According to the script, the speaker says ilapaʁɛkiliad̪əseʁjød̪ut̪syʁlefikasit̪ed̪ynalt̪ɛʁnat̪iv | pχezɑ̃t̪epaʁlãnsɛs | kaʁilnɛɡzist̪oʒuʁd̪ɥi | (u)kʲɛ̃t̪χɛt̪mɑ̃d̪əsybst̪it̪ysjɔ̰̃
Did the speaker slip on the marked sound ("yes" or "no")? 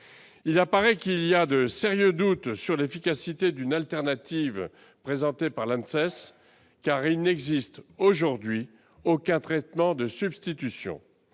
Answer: yes